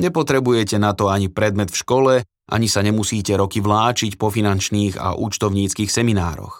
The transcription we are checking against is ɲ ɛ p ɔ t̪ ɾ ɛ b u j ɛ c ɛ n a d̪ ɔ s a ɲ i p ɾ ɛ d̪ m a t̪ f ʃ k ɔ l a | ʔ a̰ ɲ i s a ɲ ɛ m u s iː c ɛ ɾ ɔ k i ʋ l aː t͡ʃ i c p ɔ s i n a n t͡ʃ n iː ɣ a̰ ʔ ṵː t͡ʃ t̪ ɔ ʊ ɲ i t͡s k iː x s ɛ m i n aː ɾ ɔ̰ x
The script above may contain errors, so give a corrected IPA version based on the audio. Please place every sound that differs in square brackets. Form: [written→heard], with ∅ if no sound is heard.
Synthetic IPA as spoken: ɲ ɛ p ɔ t̪ ɾ ɛ b u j ɛ c ɛ n a [d̪→t̪] ɔ [s→∅] a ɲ i p ɾ ɛ d̪ m [a→ɛ] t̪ f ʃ k ɔ l [a→ɛ] | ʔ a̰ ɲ i s a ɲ ɛ m u s iː c ɛ ɾ ɔ k i ʋ l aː t͡ʃ i c p ɔ [s→f] i n a n t͡ʃ n iː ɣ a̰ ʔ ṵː t͡ʃ t̪ ɔ ʊ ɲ [i→iː] t͡s k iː x s ɛ m i n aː ɾ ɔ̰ x